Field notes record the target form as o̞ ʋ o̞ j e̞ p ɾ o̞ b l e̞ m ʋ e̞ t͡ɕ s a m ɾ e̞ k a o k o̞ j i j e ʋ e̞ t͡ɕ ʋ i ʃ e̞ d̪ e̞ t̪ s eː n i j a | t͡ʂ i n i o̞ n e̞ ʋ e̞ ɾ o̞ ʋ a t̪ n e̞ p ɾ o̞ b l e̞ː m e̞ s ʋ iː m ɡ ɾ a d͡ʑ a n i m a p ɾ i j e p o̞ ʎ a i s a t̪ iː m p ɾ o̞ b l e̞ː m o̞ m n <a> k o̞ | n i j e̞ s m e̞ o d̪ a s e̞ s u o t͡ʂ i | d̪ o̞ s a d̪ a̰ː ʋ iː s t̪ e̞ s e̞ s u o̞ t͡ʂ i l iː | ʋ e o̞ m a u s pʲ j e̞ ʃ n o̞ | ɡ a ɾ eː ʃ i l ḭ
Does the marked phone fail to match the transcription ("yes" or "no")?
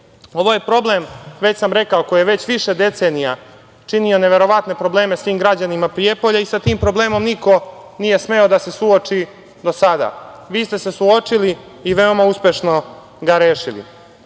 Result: yes